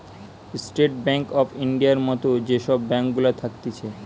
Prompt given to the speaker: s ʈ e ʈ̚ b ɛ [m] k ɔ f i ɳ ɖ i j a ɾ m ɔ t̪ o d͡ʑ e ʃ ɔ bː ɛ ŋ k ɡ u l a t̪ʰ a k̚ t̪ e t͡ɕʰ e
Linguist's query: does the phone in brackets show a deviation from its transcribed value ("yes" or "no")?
yes